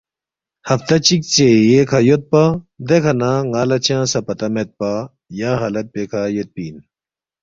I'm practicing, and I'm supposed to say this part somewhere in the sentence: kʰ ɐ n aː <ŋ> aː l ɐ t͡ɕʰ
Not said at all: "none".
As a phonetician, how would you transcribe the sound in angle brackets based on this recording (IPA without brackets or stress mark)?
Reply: ŋ